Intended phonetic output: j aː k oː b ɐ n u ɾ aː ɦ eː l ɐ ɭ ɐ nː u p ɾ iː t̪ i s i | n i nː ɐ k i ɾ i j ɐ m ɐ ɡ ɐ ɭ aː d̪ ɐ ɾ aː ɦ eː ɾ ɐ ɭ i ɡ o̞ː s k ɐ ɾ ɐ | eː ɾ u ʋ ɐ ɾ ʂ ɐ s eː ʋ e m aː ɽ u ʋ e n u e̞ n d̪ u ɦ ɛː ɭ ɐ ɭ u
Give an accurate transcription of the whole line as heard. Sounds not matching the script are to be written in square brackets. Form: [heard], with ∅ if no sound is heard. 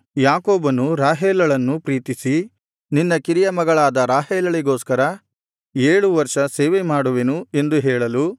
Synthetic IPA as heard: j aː k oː b ɐ n u ɾ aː ɦ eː l ɐ ɭ ɐ nː u p ɾ iː t̪ i s i | n i nː ɐ k i ɾ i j ɐ m ɐ ɡ ɐ ɭ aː d̪ ɐ ɾ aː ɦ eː [l] ɐ ɭ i ɡ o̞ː s k ɐ ɾ ɐ | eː [ɭ] u ʋ ɐ ɾ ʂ ɐ s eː ʋ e m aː ɽ u ʋ e n u e̞ n d̪ u ɦ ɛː ɭ ɐ [l] u